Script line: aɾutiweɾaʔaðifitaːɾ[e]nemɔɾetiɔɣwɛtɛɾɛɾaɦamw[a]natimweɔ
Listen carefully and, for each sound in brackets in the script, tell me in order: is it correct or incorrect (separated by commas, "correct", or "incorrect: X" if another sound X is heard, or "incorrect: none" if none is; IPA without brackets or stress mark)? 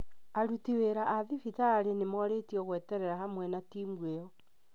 correct, incorrect: ɛ